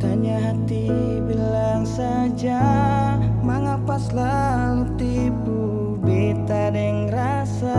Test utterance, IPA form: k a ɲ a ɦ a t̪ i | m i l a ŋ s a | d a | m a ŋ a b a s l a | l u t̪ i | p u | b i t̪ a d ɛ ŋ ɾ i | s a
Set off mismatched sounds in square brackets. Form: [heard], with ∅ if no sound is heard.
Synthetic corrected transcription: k a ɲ a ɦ a t̪ i | [b] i l a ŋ s a | [d͡ʒ] a | m a ŋ a [p] a s l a | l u t̪ i | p u | b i t̪ a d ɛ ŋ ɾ [a] | s a